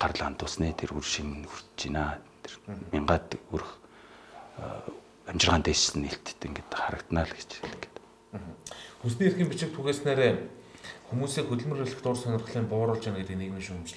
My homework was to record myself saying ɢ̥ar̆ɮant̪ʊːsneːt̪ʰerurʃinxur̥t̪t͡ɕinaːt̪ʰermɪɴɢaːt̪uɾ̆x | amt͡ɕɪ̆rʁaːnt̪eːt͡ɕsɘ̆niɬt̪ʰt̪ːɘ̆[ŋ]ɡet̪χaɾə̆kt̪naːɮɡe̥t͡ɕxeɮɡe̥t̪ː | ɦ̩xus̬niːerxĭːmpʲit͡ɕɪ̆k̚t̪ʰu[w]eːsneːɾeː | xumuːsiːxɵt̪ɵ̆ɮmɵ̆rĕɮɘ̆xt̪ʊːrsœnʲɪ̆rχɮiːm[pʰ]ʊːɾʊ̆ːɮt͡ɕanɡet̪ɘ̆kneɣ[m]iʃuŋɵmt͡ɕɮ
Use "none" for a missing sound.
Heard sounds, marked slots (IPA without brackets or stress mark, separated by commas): ŋ, ɣ, p, m